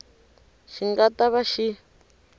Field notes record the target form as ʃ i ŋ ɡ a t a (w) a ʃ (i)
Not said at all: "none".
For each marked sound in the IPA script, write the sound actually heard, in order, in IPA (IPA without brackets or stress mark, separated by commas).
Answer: β, i